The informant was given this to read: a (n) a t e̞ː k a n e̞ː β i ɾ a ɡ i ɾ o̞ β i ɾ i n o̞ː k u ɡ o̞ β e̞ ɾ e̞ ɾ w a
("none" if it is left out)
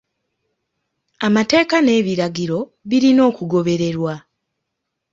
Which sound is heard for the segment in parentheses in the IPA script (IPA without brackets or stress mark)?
m